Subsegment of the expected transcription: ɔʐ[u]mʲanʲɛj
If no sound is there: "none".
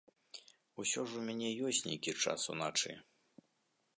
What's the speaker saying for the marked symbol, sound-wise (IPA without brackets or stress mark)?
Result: u